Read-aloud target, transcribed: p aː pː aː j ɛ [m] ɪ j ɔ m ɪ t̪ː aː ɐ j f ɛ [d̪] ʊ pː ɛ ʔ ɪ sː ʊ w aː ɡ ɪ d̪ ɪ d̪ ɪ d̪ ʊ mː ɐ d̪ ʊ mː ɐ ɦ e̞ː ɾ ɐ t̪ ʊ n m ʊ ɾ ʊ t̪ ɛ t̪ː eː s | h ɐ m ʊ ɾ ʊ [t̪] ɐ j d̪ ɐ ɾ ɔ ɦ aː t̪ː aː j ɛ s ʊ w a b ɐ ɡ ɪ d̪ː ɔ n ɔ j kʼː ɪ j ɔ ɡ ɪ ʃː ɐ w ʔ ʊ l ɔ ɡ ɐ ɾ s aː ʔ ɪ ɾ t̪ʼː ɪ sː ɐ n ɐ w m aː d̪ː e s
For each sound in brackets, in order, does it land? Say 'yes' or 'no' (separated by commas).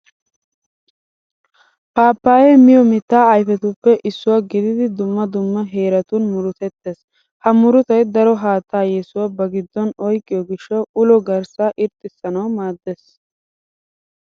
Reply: yes, no, yes